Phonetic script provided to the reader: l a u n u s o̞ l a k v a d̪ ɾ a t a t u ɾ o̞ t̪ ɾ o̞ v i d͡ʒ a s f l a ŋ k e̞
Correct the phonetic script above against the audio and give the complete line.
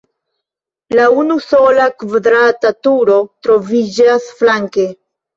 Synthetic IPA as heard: l a u n u s o̞ l a k v a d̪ ɾ a t a t u ɾ o̞ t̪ ɾ o̞ v i d͡ʒ a s f l a ŋ k e̞